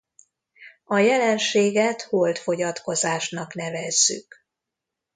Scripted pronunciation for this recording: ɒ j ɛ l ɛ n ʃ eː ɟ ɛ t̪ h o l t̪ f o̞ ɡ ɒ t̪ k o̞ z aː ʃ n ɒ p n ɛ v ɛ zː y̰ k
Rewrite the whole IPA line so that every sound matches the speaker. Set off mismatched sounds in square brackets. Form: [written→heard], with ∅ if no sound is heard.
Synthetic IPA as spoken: ɒ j ɛ l ɛ n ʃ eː [ɟ→ɡ] ɛ t̪ h o l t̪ f o̞ [ɡ→ɟ] ɒ t̪ k o̞ z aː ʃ n ɒ [p→k] n ɛ v ɛ zː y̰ k